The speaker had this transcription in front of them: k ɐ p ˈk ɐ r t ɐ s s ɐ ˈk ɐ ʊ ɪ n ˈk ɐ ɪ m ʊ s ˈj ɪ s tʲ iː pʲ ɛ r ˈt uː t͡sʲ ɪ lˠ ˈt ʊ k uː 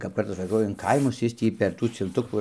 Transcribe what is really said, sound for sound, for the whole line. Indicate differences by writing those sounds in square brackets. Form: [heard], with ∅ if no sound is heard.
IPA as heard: k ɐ p ˈk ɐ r t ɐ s s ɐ ˈk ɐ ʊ ɪ n ˈk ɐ ɪ m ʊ s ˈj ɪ s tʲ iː pʲ ɛ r ˈt uː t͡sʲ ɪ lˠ ˈt ʊ k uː